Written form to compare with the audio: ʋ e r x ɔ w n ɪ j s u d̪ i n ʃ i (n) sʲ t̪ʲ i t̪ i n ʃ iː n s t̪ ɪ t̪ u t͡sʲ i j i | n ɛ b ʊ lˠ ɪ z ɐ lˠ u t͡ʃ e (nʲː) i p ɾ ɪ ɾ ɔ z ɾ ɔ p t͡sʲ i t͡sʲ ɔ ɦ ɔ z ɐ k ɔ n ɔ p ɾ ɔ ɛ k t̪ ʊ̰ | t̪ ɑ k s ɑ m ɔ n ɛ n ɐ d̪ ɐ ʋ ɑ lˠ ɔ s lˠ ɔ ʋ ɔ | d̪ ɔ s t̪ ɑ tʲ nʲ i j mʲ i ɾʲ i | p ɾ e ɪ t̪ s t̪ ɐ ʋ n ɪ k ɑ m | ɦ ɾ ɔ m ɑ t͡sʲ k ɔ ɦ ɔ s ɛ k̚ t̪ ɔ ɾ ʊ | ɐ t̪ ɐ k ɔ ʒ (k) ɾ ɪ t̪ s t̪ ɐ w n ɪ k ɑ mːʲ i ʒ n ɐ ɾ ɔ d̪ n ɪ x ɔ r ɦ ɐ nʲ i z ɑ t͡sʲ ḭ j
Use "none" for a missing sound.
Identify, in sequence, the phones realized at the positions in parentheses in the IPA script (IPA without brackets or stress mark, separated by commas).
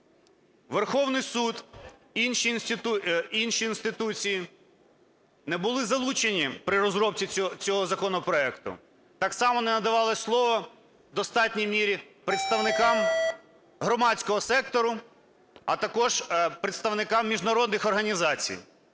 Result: n, nʲ, p